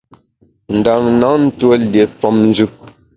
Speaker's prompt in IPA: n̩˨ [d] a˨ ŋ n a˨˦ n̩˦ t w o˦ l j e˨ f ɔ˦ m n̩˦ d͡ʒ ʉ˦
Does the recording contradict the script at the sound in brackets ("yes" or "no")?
no